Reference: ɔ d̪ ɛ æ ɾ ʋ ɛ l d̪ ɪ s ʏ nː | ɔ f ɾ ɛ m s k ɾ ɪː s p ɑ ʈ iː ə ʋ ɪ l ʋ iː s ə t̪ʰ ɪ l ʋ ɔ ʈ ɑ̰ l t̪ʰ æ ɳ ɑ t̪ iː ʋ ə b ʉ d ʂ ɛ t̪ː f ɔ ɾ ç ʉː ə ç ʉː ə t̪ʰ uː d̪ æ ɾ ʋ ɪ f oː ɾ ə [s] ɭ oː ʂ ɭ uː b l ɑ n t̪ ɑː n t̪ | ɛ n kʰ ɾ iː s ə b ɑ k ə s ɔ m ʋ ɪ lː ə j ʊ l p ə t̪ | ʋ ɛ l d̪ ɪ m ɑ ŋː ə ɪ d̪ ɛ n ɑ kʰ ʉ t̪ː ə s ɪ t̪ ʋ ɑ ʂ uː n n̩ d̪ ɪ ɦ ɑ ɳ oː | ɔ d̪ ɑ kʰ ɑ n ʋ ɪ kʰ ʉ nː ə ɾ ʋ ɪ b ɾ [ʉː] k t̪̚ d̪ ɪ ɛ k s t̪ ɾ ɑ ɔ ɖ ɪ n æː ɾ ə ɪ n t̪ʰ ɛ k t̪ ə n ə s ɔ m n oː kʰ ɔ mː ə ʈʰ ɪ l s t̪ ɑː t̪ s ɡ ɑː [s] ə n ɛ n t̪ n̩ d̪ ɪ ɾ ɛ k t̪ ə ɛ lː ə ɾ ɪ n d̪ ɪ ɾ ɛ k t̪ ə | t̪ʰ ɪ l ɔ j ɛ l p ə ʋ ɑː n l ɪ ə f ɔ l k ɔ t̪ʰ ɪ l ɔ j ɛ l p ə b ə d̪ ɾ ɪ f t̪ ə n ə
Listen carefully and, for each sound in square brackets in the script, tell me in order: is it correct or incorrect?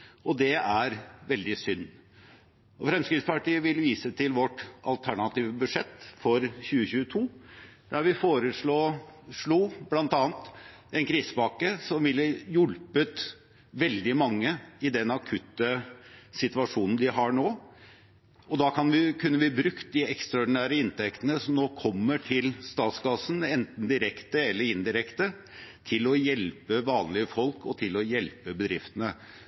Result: incorrect, incorrect, correct

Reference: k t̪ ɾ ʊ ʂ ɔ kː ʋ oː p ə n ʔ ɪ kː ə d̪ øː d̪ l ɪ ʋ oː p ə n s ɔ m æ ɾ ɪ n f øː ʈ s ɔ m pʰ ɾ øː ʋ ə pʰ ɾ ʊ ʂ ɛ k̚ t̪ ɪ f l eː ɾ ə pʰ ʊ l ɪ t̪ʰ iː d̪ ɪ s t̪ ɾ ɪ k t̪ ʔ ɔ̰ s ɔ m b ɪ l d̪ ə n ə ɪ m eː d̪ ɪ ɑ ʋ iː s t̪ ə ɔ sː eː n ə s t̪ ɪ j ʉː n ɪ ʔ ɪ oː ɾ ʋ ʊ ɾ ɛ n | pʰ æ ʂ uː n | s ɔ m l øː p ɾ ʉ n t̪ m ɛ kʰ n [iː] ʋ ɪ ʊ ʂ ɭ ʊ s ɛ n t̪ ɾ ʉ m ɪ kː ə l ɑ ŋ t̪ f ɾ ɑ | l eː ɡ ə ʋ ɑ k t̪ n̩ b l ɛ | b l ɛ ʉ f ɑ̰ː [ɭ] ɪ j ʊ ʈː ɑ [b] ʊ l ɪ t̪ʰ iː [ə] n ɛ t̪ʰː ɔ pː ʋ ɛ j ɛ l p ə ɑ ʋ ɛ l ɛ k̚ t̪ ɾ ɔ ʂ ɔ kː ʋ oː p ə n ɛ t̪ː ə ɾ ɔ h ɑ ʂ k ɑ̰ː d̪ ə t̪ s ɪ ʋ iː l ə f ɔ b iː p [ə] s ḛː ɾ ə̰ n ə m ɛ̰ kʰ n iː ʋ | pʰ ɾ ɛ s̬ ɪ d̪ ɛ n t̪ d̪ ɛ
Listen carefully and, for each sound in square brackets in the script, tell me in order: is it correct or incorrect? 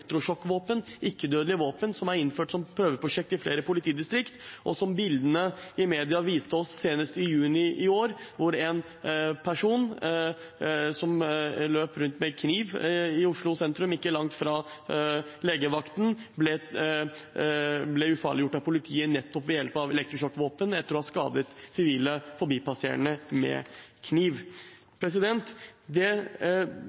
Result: correct, correct, incorrect, correct, incorrect

